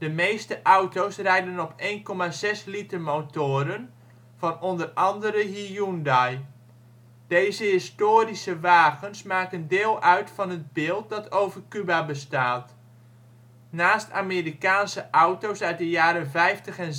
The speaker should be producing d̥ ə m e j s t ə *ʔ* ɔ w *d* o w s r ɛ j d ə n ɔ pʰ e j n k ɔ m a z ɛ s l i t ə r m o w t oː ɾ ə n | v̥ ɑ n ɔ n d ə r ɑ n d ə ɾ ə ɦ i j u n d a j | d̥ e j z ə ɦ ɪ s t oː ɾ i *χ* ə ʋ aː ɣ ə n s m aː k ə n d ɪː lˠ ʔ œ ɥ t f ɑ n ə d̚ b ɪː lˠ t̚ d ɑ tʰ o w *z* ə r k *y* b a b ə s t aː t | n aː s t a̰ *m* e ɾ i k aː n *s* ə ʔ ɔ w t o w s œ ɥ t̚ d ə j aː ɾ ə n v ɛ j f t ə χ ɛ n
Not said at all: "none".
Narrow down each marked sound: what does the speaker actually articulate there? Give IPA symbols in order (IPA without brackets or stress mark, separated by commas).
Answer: ʔ, t, s, v, y, m, s